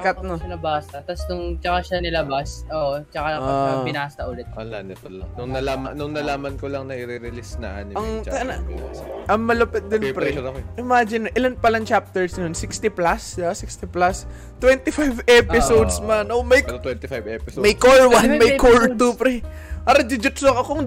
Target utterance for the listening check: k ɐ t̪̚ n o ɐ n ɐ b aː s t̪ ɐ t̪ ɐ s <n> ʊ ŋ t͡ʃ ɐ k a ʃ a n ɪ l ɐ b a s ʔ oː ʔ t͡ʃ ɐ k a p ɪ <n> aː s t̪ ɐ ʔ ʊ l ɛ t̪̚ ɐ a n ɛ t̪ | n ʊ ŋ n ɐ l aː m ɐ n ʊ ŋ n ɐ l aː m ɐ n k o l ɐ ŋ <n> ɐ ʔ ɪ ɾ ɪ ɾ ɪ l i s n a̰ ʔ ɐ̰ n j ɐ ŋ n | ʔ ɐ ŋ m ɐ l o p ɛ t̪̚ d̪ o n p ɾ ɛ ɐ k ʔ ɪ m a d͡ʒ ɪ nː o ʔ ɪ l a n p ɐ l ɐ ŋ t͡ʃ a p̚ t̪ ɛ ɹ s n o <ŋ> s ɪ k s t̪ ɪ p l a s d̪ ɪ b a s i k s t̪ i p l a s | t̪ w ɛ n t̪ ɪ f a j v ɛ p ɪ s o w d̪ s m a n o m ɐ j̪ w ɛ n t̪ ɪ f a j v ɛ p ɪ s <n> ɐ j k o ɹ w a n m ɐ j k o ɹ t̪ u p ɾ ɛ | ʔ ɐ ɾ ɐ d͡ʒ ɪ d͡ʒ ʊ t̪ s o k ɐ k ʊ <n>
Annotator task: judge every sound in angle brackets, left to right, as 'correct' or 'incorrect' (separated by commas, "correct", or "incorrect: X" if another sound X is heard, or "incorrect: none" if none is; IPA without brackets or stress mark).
correct, correct, correct, incorrect: n, incorrect: m, incorrect: ŋ